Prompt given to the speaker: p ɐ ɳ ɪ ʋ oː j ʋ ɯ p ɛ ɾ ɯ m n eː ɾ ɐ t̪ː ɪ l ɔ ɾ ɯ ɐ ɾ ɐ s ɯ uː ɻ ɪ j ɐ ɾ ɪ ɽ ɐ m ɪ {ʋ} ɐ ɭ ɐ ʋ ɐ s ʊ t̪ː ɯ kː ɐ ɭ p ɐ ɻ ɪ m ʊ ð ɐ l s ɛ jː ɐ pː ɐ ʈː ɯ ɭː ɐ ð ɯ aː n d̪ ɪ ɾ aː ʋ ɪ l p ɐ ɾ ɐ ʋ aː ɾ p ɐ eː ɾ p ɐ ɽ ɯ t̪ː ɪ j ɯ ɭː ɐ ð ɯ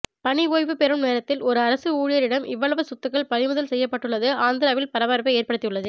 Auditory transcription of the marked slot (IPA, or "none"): ʋː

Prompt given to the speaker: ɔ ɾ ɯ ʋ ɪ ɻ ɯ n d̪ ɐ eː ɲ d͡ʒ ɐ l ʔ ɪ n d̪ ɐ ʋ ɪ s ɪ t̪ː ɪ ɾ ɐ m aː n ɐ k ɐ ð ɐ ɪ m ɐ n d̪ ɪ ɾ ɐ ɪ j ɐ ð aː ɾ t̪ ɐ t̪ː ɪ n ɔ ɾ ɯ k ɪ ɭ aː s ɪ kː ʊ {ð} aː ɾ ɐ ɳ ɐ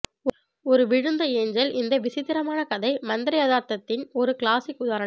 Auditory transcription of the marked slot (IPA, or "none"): ð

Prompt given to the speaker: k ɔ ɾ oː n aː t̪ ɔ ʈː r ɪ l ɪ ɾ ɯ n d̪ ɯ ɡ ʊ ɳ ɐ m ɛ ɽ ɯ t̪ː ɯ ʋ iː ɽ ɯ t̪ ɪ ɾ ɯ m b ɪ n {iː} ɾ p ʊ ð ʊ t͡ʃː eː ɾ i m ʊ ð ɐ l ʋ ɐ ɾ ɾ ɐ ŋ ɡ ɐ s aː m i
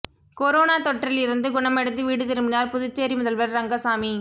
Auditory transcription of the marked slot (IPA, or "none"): aː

